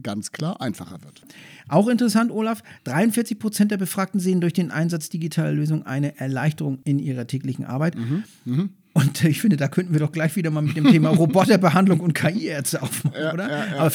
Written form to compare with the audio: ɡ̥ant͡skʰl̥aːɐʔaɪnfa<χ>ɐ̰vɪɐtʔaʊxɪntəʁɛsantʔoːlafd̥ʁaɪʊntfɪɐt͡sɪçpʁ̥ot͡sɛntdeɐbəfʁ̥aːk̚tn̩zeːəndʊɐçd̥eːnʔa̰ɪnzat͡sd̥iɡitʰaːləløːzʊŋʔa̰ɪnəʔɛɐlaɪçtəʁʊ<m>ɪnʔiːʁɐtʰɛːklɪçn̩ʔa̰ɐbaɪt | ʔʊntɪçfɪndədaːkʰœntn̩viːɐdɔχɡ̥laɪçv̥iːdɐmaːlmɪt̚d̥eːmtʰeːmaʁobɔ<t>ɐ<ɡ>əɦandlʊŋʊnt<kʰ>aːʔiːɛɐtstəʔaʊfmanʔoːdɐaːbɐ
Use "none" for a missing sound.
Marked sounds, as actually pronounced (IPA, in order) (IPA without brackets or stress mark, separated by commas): χ, ŋ, t, b, kʰ